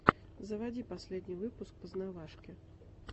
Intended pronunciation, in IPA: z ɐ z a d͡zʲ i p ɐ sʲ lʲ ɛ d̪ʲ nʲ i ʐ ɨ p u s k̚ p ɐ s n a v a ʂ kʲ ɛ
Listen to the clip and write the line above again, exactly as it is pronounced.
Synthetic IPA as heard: z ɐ v a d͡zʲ i p a sʲ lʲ ɛ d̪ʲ nʲ i v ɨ p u s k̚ p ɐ z n a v a ʂ kʲ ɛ

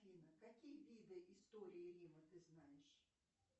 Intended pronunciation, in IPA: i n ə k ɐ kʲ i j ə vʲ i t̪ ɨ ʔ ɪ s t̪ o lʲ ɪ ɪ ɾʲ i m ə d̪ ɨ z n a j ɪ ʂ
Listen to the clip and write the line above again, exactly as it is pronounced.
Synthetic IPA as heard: i n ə k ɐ kʲ i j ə vʲ i d̪ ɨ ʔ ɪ s t̪ o ɾʲ ɪ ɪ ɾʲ i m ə t̪ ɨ z n a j ɪ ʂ

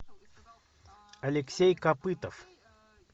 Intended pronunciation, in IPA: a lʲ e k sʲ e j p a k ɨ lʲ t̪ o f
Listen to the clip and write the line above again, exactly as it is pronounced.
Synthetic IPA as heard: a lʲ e k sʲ e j k a p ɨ t̪ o f

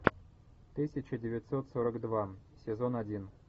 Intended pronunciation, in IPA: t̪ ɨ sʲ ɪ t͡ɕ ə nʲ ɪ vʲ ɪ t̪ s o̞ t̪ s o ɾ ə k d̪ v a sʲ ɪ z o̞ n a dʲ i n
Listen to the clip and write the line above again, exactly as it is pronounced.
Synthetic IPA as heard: t̪ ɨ sʲ ɪ t͡ɕ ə dʲ ɪ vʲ ɪ t̪ s o̞ t̪ s o ɾ ə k d̪ v a sʲ ɪ z o̞ n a dʲ i n

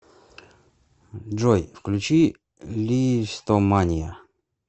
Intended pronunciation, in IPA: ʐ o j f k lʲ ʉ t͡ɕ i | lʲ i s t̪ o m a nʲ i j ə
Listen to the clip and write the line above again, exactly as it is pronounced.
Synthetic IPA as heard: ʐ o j f k lʲ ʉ t͡ɕ i | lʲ i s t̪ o m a nʲ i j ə

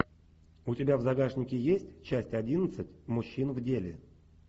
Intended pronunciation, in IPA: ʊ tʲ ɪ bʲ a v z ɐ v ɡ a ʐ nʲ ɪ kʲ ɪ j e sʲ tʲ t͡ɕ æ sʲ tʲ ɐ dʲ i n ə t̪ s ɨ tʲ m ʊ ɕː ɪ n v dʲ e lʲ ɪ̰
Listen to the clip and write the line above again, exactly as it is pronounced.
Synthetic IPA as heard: ʊ tʲ ɪ bʲ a v z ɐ ɡ a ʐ nʲ ɪ kʲ ɪ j e sʲ tʲ t͡ɕ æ sʲ tʲ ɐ dʲ i n ə t̪ s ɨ tʲ m ʊ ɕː i n v dʲ e lʲ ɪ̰

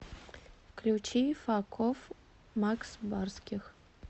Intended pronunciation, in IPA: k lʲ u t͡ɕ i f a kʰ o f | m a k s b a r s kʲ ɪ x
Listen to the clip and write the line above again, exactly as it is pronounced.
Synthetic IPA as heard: k lʲ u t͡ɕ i f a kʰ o f | m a k s b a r s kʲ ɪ x

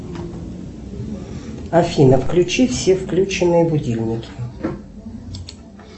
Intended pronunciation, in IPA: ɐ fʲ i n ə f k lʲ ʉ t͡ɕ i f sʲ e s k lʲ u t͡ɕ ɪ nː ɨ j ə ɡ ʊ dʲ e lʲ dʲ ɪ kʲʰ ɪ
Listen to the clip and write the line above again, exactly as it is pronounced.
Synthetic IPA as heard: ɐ fʲ i n ə f k lʲ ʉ t͡ɕ i f sʲ e f k lʲ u t͡ɕ ɪ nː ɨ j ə b ʊ dʲ i lʲ nʲ ɪ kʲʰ ɪ

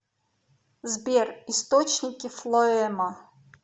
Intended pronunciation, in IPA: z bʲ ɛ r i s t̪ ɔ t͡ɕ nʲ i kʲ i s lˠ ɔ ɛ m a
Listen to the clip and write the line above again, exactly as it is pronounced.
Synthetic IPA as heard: z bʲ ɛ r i s t̪ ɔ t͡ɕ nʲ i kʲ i f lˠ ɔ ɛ m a

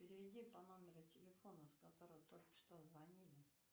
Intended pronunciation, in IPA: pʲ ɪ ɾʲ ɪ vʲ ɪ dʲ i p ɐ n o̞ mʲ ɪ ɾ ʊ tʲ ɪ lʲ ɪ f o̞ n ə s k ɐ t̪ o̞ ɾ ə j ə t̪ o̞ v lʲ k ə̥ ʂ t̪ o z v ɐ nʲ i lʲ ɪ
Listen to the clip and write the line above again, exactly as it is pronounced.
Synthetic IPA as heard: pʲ ɪ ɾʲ ɪ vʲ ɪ dʲ i p ɐ n o̞ mʲ ɪ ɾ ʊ tʲ ɪ lʲ ɪ f o̞ n ə s k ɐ t̪ o̞ ɾ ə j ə t̪ o̞ lʲ k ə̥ ʂ t̪ o z v ɐ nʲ i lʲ ɪ

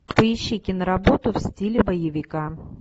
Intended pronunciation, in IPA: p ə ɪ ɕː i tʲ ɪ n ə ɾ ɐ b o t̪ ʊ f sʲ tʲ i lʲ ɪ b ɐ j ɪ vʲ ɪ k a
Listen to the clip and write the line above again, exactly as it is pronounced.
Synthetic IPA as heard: p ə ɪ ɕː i kʲ ɪ n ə ɾ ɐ b o t̪ ʊ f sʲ tʲ i lʲ ɪ b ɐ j ɪ vʲ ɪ k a

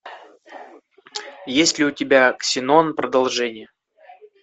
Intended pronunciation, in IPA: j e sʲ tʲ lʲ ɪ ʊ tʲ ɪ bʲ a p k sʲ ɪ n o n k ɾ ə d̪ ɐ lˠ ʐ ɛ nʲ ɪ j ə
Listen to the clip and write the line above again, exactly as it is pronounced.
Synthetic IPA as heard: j e sʲ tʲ lʲ ɪ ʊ tʲ ɪ bʲ a k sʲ ɪ n o n p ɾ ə d̪ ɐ lˠ ʐ ɛ nʲ ɪ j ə

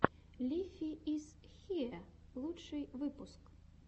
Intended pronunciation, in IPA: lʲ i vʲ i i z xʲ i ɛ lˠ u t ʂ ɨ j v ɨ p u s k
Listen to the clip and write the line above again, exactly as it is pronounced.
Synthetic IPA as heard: lʲ i fʲ i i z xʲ i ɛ lˠ u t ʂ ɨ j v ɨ p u s k

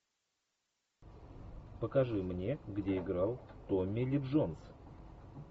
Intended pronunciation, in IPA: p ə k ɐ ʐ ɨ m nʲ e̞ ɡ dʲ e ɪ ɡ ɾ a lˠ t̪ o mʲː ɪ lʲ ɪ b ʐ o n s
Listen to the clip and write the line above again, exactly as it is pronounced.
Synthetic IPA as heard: p ə k ɐ ʐ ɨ m nʲ e̞ ɡ dʲ e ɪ ɡ ɾ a lˠ t̪ o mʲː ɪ lʲ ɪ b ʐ o n s

